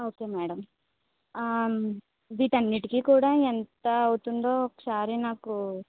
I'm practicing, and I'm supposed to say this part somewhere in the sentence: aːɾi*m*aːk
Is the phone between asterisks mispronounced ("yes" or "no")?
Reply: yes